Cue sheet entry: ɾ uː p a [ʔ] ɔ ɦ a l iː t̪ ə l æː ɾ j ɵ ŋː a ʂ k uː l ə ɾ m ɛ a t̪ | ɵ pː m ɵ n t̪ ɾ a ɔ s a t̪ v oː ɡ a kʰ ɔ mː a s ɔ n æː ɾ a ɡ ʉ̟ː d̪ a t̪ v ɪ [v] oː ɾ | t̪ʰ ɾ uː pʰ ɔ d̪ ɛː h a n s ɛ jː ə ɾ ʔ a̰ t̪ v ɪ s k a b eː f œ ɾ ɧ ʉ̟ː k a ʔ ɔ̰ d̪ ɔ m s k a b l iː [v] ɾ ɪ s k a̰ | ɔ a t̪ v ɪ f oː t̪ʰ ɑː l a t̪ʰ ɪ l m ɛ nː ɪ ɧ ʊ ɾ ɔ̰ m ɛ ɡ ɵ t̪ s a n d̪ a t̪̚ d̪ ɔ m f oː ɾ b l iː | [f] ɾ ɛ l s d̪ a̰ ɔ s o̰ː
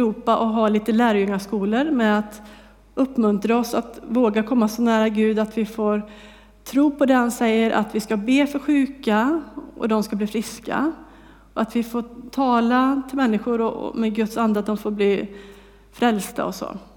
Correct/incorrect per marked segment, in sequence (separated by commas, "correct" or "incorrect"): correct, incorrect, incorrect, correct